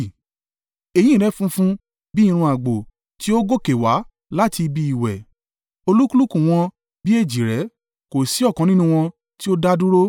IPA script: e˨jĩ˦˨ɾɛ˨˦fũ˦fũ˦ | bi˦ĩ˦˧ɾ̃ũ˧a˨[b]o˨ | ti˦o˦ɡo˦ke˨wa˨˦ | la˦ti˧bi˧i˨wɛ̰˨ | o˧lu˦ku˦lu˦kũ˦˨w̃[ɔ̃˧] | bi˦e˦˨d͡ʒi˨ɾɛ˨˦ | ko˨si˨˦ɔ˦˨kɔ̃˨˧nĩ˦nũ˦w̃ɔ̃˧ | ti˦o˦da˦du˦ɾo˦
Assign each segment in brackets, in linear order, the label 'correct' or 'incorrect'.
incorrect: ɡ͡b, correct

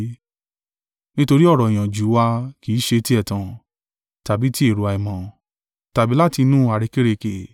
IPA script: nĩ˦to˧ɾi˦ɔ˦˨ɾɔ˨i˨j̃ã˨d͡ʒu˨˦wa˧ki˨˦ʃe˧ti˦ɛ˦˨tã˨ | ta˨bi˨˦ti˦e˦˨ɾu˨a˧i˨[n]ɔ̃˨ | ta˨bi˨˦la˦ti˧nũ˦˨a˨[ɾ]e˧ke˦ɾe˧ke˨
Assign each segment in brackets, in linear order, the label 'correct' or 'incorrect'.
incorrect: m, correct

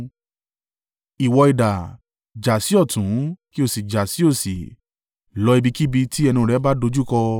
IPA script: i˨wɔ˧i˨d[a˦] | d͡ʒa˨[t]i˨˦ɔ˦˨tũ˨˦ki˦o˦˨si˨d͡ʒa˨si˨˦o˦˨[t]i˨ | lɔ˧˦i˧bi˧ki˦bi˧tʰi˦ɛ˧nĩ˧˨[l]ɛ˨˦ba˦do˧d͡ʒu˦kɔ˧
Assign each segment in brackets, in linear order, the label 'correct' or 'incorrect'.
incorrect: a˨, incorrect: s, incorrect: s, incorrect: ɾ

